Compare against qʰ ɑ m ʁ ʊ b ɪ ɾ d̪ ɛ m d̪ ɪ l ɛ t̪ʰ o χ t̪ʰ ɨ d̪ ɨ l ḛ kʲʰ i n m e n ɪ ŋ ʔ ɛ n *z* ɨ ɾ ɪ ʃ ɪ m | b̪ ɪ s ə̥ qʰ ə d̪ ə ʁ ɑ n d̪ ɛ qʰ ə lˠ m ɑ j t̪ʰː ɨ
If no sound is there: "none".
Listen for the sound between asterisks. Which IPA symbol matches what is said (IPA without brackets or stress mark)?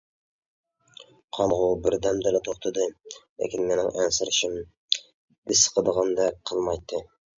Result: s